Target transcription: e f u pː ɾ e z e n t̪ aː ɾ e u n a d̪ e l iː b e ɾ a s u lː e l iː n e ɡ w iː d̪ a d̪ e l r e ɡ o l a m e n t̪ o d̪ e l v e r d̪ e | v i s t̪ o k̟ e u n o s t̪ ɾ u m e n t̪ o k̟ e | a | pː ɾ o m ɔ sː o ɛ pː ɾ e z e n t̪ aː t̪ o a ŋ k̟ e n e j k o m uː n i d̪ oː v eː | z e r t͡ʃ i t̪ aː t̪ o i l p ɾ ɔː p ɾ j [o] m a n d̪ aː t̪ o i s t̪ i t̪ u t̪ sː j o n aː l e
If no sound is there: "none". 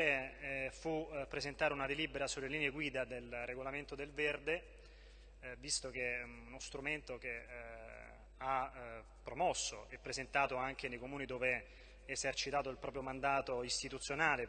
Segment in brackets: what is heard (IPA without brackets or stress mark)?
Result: o